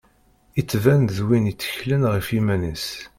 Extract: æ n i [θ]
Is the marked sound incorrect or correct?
incorrect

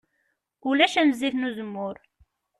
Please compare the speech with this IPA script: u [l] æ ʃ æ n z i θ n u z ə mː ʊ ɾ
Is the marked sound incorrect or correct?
correct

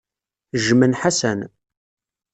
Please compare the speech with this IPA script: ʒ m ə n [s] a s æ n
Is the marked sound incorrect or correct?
incorrect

